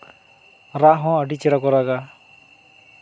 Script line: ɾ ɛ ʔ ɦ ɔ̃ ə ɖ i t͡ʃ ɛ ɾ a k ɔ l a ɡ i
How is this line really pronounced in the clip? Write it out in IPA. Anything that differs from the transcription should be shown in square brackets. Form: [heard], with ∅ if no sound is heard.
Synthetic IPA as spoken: ɾ [a] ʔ ɦ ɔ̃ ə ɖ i t͡ʃ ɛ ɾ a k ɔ [ɾ] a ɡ [a]